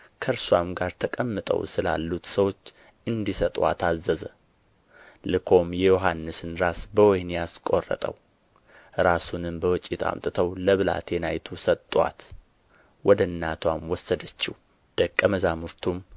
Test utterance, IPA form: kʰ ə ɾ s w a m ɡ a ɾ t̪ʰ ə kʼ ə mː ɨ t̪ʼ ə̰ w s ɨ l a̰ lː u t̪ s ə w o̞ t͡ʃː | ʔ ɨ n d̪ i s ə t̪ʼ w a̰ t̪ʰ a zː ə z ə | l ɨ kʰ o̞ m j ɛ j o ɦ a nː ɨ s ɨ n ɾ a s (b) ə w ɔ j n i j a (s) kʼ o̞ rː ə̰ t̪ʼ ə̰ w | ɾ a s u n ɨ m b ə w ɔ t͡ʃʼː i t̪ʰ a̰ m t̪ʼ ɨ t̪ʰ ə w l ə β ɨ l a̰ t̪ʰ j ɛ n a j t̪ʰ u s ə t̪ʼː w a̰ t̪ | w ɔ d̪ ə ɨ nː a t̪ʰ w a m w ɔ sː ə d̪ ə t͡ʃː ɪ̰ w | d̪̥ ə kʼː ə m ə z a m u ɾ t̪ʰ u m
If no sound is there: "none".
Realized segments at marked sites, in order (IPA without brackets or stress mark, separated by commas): b, s